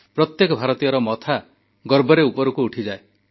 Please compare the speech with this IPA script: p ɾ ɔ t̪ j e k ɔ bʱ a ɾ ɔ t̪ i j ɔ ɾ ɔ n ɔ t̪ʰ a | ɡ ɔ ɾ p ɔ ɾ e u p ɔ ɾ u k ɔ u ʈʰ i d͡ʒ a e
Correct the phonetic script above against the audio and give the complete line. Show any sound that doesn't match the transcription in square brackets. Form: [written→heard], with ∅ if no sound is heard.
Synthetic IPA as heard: p ɾ ɔ t̪ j e k ɔ bʱ a ɾ ɔ t̪ i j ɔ ɾ ɔ [n→m] ɔ t̪ʰ a | ɡ ɔ ɾ [p→b] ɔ ɾ e u p ɔ ɾ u k [ɔ→u] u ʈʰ i d͡ʒ a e